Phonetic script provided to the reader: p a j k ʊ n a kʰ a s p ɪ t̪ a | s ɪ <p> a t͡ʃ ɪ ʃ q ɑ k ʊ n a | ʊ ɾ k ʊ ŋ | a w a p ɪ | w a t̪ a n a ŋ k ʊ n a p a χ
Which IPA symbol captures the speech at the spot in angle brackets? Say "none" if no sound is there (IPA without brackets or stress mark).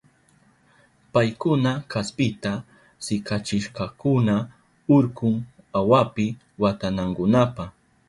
k